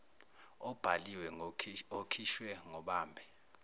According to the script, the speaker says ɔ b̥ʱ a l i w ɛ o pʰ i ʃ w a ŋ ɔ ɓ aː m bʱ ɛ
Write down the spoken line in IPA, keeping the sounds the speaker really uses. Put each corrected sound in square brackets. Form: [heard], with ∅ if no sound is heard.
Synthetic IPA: ɔ b̥ʱ a l i w ɛ o [kʰ] i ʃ w [ɛ] ŋ ɔ ɓ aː m bʱ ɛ